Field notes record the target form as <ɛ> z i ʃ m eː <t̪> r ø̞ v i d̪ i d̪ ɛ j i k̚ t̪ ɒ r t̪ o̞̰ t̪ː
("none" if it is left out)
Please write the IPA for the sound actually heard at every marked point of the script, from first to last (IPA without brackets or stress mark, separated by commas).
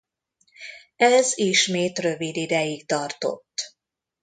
ɛ, t̪